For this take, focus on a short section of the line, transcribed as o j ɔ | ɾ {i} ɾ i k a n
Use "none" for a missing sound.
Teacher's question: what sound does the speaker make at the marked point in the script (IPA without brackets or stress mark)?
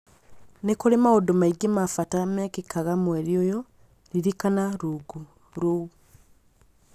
i